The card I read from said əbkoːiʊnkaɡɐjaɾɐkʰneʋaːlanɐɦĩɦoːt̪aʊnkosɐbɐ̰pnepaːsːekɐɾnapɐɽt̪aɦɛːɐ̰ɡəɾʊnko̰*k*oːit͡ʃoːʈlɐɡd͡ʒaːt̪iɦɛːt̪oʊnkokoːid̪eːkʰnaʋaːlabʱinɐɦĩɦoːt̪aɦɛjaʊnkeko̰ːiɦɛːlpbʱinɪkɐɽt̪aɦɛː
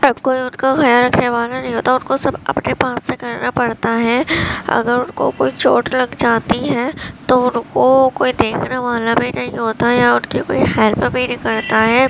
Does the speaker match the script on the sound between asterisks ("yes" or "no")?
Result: yes